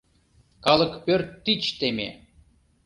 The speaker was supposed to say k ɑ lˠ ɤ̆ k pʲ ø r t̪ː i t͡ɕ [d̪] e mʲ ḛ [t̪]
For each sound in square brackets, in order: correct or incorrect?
incorrect: t̪, incorrect: none

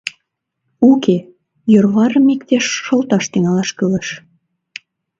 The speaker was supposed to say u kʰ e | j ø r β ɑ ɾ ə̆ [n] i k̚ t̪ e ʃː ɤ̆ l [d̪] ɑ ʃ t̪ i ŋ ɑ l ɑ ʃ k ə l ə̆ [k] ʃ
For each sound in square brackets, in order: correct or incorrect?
incorrect: m, incorrect: t̪, incorrect: none

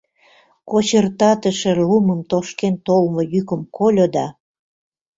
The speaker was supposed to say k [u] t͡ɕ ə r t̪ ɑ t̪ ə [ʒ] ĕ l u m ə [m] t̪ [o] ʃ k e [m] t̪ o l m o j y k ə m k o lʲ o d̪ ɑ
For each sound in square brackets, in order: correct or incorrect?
incorrect: o, incorrect: ʃ, correct, correct, incorrect: n

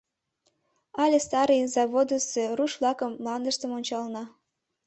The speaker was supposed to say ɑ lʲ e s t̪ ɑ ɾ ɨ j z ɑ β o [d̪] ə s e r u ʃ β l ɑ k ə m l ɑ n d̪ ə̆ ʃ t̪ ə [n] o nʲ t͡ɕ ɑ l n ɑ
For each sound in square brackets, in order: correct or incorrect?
correct, incorrect: m

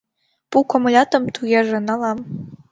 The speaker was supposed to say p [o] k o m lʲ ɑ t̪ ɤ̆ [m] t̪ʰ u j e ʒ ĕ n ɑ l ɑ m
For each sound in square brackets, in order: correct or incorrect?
incorrect: u, correct

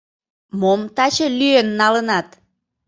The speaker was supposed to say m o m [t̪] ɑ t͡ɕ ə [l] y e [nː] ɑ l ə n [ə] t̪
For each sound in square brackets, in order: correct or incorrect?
correct, correct, correct, incorrect: ɑ

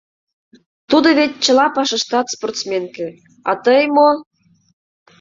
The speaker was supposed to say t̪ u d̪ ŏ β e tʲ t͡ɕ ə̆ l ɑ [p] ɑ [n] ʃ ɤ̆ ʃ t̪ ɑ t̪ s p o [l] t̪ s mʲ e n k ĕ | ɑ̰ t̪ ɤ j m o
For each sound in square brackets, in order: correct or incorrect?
correct, incorrect: none, incorrect: r

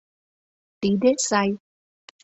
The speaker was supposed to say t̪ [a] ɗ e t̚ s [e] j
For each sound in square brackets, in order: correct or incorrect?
incorrect: i, incorrect: a

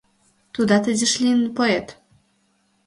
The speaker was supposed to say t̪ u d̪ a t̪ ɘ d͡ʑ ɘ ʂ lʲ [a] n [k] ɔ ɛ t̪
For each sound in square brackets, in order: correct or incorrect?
incorrect: i, incorrect: p

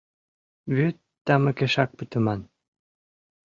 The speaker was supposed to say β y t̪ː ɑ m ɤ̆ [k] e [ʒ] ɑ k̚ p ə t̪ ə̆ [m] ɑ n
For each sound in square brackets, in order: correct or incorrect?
correct, incorrect: ʃ, correct

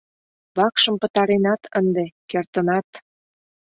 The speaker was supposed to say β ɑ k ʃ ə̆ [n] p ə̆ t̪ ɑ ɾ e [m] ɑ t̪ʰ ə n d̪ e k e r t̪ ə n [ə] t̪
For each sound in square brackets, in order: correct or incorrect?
incorrect: m, incorrect: n, incorrect: ɑ

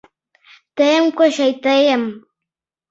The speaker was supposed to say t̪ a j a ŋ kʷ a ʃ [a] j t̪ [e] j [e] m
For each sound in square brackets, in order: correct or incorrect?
correct, incorrect: a, incorrect: a

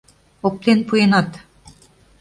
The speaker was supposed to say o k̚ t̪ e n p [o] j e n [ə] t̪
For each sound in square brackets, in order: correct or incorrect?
incorrect: u, incorrect: ɑ

